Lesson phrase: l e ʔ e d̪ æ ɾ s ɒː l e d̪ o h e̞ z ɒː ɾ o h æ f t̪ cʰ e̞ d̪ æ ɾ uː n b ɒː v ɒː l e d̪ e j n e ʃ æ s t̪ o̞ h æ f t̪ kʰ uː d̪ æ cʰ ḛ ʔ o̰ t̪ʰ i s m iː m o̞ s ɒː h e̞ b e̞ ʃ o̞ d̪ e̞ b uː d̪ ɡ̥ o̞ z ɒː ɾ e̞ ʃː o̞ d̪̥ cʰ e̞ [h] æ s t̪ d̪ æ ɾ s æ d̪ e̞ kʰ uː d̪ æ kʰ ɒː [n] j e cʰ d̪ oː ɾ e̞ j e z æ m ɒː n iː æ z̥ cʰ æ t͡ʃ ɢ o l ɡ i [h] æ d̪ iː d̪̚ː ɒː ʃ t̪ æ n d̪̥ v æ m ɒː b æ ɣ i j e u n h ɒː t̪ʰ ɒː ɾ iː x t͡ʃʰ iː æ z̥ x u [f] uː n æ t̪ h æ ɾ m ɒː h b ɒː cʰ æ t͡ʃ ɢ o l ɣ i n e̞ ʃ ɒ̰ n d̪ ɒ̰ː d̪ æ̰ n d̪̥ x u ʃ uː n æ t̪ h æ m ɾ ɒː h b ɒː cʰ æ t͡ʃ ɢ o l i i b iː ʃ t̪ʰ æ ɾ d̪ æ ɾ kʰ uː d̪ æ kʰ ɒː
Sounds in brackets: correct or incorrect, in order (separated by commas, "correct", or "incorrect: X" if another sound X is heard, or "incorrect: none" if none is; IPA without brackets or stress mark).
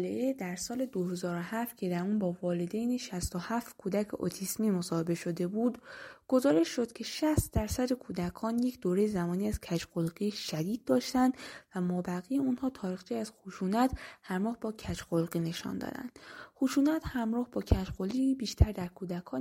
incorrect: ʃ, correct, incorrect: ʃ, incorrect: ʃ